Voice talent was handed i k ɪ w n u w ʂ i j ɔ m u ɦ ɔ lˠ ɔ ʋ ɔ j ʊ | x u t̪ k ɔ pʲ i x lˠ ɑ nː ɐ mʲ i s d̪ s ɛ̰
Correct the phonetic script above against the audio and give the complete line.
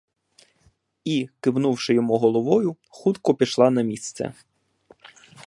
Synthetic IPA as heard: i k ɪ w n u w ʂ ɪ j ɔ m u ɦ ɔ lˠ ɔ ʋ ɔ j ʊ | x u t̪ k ɔ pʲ i ʃ lˠ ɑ n ɐ mʲ i s t̪ s ɛ̰